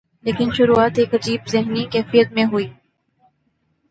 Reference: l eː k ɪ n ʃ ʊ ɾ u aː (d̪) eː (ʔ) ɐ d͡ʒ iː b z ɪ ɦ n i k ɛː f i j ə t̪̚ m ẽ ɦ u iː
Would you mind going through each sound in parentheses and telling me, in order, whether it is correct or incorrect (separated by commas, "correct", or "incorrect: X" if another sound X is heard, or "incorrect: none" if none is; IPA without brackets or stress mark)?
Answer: incorrect: t̪, incorrect: k